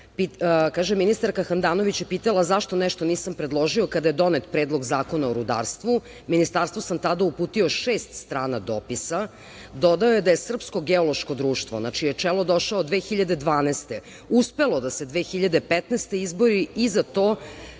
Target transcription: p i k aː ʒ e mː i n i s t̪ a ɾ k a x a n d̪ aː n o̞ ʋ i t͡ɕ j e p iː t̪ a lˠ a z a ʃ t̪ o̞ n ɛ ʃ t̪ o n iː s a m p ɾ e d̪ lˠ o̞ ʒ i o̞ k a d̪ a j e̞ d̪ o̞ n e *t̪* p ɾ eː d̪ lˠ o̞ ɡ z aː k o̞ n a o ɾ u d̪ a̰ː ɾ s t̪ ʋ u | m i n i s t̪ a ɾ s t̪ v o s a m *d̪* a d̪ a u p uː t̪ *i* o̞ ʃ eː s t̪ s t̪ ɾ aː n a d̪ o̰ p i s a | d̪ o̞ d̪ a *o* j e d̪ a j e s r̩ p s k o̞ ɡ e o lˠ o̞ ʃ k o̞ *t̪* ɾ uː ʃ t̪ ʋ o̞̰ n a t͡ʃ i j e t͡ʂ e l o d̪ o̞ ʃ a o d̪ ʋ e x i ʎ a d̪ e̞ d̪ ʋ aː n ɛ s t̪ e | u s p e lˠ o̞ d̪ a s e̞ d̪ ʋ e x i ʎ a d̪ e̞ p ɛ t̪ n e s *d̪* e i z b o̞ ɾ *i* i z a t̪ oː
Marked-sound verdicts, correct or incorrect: correct, incorrect: t̪, correct, correct, incorrect: d̪, incorrect: t̪, correct

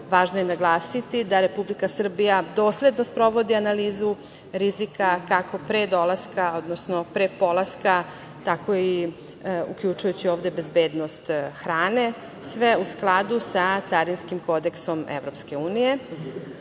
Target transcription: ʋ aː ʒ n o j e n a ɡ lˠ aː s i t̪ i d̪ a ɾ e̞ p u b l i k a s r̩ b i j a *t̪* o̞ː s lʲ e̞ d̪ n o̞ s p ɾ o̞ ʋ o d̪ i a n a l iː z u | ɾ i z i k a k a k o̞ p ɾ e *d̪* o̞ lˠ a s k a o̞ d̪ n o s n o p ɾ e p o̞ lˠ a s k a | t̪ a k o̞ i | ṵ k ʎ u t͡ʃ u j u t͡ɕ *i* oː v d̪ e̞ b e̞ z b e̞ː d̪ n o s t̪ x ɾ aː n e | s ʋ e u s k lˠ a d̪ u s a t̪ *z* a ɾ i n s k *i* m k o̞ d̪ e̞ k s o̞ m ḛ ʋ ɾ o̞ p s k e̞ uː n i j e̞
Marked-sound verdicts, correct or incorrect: incorrect: d̪, correct, correct, incorrect: s, correct

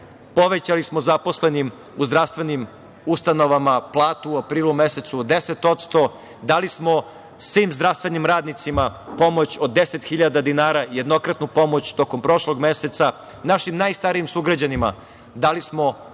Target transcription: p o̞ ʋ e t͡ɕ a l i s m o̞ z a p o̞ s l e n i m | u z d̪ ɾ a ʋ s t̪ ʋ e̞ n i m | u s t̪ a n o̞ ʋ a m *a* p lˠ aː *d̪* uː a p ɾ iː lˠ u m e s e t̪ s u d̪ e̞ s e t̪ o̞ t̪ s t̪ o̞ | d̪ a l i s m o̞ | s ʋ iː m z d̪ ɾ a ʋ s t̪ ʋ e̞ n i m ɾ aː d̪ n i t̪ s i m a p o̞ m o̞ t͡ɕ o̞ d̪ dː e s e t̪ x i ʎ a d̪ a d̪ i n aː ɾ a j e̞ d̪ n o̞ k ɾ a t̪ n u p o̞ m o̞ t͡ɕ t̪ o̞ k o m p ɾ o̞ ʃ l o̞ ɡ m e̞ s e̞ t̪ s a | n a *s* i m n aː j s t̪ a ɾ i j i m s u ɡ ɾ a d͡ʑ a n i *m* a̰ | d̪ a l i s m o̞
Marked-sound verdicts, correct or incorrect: correct, incorrect: t̪, incorrect: ʃ, correct

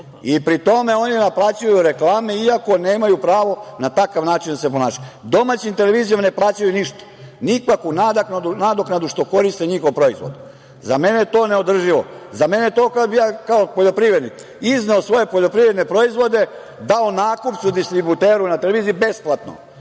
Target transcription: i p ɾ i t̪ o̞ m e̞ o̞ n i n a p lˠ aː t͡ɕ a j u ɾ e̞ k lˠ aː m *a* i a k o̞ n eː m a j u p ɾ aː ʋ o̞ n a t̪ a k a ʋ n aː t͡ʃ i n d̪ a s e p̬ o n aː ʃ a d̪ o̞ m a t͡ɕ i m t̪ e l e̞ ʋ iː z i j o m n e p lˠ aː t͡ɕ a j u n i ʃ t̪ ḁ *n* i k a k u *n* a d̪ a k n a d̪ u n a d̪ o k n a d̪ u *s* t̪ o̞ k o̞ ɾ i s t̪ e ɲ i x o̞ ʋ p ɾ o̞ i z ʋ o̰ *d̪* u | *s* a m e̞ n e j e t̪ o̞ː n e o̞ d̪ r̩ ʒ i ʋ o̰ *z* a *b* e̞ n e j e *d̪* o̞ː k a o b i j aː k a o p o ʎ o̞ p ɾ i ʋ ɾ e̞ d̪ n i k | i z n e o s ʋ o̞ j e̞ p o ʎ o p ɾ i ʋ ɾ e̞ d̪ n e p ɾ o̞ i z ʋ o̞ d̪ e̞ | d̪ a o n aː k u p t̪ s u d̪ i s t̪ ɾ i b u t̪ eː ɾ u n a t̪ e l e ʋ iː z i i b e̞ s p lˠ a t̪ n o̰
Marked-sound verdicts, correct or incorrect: incorrect: e, correct, correct, incorrect: ʃ, correct, incorrect: z, correct, incorrect: m, incorrect: t̪

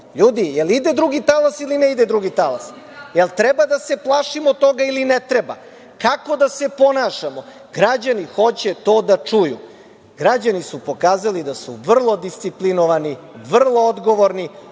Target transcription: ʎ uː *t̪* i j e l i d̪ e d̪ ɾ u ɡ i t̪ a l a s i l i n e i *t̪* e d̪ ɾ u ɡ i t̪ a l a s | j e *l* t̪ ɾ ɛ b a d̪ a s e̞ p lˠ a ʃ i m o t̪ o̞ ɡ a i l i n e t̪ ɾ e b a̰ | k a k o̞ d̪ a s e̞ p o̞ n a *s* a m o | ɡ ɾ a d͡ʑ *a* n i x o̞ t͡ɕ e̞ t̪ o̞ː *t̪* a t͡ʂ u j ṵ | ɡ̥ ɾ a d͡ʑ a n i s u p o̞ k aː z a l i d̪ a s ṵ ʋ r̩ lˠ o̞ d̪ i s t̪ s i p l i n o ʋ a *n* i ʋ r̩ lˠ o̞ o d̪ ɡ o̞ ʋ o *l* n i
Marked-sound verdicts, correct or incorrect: incorrect: d̪, incorrect: d̪, correct, incorrect: ʃ, correct, incorrect: d̪, correct, incorrect: ɾ

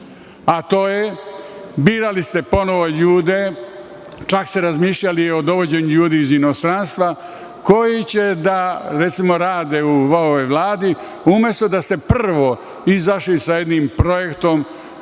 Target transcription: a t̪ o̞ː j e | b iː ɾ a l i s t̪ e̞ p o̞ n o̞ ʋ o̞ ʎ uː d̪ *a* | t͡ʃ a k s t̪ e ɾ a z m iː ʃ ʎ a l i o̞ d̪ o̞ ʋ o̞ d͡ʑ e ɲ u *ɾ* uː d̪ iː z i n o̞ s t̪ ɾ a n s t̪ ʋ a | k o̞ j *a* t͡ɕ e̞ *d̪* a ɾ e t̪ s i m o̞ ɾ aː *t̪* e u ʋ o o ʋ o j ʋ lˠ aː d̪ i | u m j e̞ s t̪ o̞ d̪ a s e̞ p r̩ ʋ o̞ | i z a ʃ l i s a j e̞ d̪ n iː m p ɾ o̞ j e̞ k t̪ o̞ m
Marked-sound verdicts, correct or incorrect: incorrect: e, incorrect: ʎ, incorrect: i, correct, incorrect: d̪

